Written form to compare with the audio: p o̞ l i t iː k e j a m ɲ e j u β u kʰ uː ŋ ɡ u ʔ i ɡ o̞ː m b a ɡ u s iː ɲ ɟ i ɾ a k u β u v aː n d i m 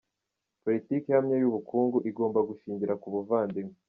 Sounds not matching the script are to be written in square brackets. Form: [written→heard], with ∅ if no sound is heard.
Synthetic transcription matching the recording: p o̞ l i t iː k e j a m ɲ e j u β u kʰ uː ŋ ɡ u ʔ i ɡ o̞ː m b a ɡ u [s→ʃ] iː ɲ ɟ i ɾ a k u β u v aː n d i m